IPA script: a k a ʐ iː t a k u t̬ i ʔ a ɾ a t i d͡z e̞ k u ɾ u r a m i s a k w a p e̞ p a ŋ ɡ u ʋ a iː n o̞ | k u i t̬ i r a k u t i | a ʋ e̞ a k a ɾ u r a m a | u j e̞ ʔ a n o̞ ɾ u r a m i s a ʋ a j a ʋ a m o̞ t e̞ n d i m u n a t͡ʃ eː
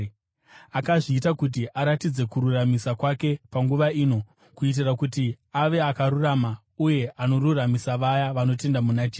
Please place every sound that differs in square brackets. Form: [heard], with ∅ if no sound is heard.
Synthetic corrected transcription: a k a ʐ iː t a k u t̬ i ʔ a ɾ a t i d͡z e̞ k u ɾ u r a m i s a k w a [k] e̞ p a ŋ ɡ u ʋ a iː n o̞ | k u i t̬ i r a k u t i | a ʋ e̞ a k a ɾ u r a m a | u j e̞ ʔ a n o̞ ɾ u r a m i s a ʋ a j a ʋ a [n] o̞ t e̞ n d [a] m u n a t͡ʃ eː